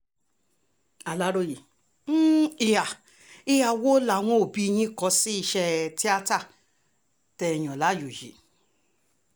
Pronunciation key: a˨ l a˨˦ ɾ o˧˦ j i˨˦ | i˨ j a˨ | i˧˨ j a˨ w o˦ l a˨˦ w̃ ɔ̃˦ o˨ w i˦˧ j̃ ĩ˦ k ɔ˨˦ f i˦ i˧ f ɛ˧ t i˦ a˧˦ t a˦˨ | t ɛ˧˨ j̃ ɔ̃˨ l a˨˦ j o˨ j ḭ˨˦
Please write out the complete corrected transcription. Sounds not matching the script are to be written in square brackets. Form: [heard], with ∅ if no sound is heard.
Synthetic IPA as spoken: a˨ l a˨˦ ɾ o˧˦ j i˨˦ | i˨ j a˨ | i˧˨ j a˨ w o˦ l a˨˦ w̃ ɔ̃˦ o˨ [b] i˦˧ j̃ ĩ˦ k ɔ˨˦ [s] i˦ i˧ [ʃ] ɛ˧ t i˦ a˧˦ t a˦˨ | t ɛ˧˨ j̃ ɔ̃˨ l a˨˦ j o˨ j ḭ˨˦